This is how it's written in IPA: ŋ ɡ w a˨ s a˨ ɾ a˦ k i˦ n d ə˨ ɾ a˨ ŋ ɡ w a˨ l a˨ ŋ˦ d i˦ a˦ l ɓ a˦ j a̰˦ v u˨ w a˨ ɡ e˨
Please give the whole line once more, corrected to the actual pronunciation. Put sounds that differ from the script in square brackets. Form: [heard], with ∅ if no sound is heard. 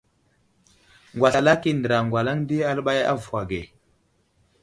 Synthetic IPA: ŋ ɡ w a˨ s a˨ [l] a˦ k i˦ n d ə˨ ɾ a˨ ŋ ɡ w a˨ l [a˦] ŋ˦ d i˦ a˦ l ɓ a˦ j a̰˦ v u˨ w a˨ ɡ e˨